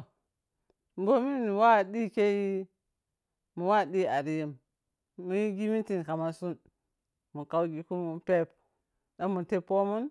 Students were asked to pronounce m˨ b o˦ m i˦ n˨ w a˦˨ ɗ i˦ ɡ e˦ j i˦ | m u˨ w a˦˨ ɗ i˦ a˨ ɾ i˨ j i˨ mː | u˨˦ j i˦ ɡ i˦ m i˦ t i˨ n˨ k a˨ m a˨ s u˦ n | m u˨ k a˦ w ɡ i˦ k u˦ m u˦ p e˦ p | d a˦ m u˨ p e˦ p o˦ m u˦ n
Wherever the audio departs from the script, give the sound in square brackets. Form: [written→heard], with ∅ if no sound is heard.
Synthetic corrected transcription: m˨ b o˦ m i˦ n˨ w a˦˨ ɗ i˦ [ɡ→k] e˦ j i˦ | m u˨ w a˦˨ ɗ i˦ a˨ ɾ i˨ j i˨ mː | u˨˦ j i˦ ɡ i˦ m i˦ t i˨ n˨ k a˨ m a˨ s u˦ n | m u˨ k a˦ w ɡ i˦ k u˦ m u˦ p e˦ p | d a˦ m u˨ [p→t] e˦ p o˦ m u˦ n